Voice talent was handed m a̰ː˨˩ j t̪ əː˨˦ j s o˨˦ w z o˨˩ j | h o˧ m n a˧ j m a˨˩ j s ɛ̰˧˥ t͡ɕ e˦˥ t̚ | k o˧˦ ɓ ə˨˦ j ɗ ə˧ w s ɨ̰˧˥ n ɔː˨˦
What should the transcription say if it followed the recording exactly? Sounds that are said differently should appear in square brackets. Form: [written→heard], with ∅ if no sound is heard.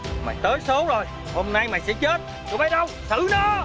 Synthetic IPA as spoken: m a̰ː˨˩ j t̪ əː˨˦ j s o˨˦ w z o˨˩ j | h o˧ m n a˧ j m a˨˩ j s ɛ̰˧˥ t͡ɕ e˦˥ t̚ | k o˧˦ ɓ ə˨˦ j ɗ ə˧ w s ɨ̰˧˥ n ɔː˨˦